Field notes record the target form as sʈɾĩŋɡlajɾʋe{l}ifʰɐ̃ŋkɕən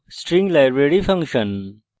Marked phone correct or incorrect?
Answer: incorrect